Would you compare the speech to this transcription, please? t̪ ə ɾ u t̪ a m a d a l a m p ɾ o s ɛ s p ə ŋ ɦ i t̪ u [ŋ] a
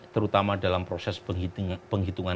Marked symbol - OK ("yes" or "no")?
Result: yes